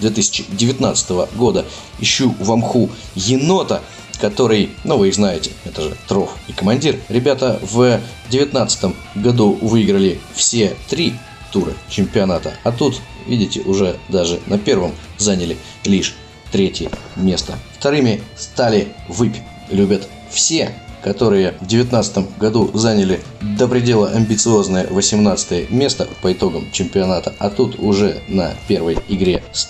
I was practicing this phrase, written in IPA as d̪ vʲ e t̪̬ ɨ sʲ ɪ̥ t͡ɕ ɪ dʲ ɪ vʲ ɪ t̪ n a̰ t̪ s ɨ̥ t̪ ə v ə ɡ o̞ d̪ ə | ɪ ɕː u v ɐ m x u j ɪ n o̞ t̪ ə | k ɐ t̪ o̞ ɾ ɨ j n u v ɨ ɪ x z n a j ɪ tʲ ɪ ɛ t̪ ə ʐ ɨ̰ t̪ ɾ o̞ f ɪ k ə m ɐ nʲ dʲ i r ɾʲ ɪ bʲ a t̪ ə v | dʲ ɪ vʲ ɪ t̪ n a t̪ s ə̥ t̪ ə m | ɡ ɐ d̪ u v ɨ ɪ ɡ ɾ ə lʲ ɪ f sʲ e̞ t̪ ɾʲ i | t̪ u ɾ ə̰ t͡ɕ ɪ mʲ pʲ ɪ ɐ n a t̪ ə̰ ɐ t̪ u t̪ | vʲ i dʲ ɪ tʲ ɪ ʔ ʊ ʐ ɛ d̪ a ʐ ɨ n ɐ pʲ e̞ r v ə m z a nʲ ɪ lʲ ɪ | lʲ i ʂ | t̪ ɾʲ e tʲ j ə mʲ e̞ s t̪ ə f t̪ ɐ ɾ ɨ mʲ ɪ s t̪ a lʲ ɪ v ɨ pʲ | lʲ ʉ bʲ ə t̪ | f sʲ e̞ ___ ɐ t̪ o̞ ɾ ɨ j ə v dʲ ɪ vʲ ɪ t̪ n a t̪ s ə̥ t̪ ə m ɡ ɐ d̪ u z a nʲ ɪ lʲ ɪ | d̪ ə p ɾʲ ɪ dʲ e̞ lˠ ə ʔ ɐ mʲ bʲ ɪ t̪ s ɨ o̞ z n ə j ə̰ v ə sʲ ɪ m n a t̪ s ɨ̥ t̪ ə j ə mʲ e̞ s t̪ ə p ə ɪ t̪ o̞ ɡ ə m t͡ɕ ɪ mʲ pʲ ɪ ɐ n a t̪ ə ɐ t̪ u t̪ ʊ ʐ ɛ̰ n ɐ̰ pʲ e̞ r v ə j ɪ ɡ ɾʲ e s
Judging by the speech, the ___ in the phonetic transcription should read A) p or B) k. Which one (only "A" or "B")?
B